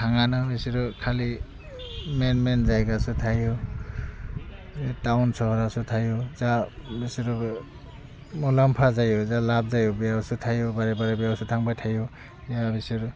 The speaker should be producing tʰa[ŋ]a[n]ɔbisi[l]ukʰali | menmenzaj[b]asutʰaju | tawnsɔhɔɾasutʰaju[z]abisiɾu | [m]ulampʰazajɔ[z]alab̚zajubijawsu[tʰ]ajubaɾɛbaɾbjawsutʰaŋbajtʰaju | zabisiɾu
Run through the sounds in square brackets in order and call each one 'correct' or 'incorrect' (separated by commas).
correct, correct, incorrect, incorrect, correct, correct, correct, correct